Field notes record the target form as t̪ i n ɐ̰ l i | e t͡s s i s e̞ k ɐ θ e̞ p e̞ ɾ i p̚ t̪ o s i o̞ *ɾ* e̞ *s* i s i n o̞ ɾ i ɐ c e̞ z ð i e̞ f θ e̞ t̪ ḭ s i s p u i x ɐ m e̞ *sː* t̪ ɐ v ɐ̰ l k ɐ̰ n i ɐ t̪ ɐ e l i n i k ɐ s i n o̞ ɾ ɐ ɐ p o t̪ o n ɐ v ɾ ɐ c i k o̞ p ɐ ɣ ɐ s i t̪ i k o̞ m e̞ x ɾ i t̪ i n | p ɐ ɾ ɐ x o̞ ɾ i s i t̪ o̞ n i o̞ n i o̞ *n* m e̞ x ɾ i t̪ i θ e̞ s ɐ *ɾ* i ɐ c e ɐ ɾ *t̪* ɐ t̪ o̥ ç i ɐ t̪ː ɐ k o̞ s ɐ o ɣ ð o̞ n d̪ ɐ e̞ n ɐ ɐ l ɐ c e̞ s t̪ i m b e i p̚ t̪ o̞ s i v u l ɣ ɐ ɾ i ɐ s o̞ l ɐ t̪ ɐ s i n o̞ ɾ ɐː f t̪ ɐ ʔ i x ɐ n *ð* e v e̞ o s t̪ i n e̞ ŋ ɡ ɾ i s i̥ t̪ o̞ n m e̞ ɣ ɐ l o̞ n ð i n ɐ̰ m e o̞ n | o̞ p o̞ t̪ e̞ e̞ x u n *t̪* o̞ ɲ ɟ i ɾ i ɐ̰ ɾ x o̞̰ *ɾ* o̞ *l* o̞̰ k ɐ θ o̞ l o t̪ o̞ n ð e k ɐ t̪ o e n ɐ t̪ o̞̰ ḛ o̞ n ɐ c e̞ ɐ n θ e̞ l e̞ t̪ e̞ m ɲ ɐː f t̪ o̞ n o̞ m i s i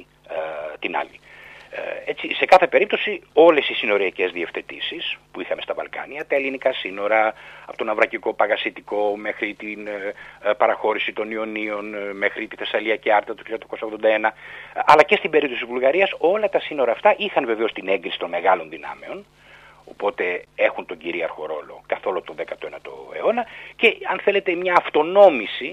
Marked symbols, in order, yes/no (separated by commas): no, yes, no, yes, no, yes, no, yes, yes, yes